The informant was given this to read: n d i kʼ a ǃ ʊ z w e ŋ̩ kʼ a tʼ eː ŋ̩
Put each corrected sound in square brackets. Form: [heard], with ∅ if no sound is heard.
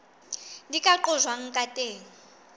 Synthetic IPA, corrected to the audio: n d i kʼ a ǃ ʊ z w [a] ŋ̩ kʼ a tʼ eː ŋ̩